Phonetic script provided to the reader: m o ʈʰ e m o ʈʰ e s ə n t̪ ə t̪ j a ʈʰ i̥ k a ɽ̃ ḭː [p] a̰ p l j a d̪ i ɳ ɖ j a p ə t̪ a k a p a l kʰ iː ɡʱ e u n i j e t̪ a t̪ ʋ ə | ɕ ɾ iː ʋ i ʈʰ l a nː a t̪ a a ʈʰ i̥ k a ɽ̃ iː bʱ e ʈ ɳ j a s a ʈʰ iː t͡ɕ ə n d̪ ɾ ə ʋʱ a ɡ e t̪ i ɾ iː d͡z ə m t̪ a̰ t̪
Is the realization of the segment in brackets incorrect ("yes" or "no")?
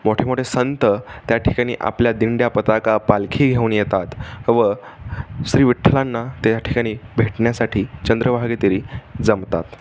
yes